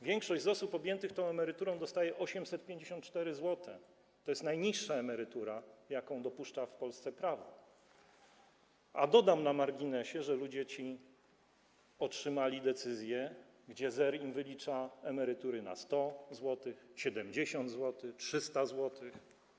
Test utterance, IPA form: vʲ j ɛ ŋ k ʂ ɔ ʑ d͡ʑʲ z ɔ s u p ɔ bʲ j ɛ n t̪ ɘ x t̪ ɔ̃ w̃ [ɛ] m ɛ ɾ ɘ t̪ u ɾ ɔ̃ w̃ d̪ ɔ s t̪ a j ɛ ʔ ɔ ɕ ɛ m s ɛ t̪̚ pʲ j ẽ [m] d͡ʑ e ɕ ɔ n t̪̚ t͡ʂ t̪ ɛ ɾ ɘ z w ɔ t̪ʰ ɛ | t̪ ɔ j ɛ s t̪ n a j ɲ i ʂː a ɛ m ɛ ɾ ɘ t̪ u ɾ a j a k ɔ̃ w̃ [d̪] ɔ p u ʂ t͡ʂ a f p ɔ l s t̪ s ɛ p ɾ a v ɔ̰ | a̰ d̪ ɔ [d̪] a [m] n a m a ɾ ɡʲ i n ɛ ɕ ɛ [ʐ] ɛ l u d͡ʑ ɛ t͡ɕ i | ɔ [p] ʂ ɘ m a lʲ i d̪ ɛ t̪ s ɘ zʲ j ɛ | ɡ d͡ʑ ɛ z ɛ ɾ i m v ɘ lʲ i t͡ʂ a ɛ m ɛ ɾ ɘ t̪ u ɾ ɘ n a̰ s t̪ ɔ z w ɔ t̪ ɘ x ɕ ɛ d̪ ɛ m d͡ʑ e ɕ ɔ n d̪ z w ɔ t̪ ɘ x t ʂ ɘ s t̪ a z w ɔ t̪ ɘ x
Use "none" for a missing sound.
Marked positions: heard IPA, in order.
ɛ, ɲ, d̪, d̪, m, ʐ, t

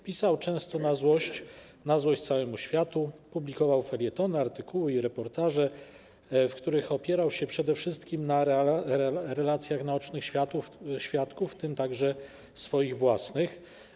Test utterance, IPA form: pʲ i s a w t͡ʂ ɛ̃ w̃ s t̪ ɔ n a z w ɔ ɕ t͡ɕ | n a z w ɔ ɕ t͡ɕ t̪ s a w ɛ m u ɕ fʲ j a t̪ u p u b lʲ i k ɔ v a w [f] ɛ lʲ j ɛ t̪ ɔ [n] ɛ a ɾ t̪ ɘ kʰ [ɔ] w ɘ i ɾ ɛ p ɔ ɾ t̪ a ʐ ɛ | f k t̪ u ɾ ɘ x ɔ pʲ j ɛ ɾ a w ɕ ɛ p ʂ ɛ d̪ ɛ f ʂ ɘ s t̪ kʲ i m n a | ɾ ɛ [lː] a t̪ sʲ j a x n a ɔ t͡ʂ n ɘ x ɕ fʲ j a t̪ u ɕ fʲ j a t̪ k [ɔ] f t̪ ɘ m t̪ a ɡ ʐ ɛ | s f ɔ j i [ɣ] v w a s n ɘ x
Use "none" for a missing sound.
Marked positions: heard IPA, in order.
f, n, u, l, u, ɣ

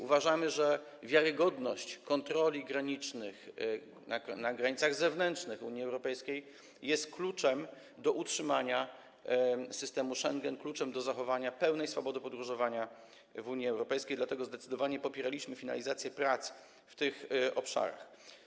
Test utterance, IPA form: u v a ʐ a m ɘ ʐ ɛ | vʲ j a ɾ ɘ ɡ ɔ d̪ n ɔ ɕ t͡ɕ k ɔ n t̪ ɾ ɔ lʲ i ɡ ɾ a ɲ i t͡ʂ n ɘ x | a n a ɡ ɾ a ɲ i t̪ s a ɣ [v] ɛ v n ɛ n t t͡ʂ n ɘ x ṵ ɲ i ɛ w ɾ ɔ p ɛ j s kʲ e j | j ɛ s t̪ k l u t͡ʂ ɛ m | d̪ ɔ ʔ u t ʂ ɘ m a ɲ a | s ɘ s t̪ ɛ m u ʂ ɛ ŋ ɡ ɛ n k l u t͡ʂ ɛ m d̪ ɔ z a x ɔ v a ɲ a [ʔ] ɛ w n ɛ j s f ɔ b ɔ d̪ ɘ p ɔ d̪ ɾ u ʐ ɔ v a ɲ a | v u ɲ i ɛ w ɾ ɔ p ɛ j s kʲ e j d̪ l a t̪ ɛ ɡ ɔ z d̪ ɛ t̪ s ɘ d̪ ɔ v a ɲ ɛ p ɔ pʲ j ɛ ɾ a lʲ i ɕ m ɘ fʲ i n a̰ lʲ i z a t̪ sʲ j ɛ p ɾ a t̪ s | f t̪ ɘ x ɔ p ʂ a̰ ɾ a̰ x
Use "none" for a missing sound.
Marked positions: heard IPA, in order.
z, p

